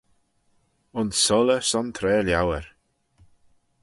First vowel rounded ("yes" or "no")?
yes